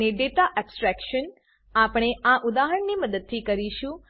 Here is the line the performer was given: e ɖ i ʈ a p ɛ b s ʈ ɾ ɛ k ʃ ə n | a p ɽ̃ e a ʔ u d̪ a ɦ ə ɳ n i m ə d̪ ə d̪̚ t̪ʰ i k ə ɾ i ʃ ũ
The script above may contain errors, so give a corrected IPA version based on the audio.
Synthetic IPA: e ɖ e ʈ a ʔ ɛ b s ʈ ɾ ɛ k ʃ ə n | a p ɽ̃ e a ʔ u d̪ a ɦ ə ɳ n i m ə d̪ ə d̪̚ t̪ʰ i k ə ɾ i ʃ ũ